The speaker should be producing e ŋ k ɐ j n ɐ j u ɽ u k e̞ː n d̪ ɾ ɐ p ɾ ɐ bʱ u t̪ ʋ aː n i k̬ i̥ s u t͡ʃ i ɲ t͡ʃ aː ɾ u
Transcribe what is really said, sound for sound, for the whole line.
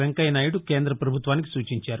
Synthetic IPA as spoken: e ŋ k ɐ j n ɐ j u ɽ u k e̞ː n d̪ ɾ ɐ p ɾ ɐ bʱ u t̪ ʋ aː n i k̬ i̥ s uː t͡ʃ i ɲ t͡ʃ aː ɾ u